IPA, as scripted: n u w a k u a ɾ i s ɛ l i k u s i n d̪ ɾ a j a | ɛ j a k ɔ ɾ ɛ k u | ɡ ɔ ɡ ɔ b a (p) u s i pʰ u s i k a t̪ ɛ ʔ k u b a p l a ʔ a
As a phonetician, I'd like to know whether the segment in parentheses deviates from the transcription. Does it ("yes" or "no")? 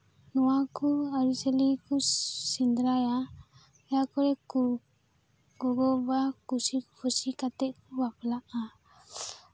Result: yes